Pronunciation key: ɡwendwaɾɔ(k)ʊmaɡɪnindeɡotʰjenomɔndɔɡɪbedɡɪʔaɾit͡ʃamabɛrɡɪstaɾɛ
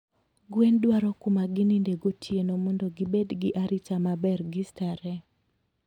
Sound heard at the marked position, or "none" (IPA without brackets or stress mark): k